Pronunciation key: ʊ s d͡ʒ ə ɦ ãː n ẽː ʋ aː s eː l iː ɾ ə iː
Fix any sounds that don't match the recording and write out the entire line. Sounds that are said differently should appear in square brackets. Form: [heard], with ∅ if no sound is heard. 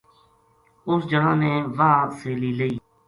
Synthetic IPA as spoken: ʊ s d͡ʒ ə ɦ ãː n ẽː ʋ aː s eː l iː [l] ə iː